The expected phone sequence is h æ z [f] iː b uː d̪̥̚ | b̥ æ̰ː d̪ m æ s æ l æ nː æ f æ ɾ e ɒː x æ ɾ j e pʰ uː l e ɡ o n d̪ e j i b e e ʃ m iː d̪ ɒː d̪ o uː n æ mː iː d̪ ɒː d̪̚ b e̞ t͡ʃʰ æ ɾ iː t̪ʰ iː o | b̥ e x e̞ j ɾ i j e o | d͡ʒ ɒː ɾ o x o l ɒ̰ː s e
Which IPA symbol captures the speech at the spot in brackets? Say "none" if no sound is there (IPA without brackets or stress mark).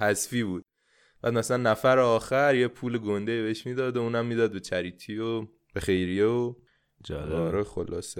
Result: f